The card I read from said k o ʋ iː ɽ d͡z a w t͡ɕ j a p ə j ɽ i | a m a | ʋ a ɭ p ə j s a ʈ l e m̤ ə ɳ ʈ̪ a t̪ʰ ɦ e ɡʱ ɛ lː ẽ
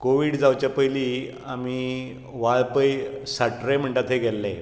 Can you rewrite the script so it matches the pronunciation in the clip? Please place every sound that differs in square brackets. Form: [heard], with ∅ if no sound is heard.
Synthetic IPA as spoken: k o ʋ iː ɽ d͡z a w t͡ɕ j a p ə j [l] i | a m [i] | ʋ a ɭ p ə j s a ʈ [ɾ] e m̤ ə ɳ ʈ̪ a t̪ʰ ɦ e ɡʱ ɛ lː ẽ